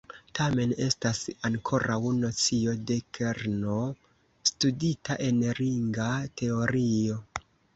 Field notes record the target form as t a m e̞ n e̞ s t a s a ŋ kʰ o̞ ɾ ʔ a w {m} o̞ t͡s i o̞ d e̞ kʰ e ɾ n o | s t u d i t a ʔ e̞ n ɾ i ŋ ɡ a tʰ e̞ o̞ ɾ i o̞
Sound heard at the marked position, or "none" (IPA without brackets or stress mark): n